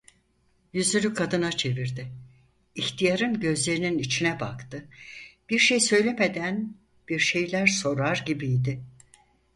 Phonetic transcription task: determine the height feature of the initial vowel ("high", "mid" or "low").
high